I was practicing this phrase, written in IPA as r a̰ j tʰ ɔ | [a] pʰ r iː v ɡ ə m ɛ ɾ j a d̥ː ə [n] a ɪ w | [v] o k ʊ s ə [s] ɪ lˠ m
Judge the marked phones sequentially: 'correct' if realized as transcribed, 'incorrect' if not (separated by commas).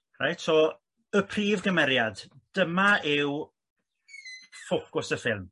incorrect, incorrect, incorrect, incorrect